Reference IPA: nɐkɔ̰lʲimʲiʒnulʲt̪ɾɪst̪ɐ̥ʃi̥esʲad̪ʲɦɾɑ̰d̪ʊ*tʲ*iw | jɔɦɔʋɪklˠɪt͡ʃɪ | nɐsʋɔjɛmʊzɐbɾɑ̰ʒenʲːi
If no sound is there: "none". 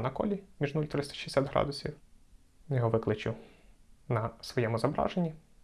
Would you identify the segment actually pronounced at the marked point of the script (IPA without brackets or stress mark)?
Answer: sʲ